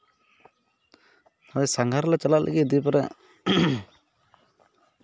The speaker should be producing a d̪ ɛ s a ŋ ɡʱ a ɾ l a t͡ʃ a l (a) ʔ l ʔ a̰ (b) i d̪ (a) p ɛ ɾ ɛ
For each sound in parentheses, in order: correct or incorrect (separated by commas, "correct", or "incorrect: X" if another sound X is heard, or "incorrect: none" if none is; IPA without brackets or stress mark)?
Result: correct, incorrect: ɡ, incorrect: i